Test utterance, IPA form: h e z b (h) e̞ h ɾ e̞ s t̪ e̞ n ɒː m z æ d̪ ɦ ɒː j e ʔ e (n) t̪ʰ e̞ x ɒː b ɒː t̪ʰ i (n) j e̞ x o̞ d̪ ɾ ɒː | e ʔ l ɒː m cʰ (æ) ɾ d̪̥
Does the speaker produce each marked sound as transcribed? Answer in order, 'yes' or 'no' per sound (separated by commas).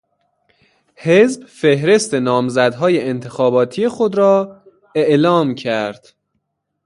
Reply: no, yes, no, yes